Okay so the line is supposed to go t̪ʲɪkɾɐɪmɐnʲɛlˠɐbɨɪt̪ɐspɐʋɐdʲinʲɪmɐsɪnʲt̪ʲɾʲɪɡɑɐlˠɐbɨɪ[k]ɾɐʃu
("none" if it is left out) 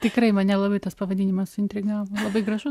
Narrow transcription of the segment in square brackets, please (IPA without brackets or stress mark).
ɡ